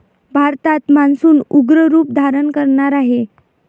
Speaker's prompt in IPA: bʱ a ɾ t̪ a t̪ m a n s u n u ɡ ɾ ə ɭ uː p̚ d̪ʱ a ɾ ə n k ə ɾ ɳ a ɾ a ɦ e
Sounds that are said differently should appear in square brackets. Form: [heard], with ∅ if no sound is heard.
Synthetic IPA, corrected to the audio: bʱ a ɾ t̪ a t̪ m a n s [uː] n u ɡ ɾ ə [ɾ] uː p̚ d̪ʱ a ɾ ə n k ə ɾ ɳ a ɾ a ɦ e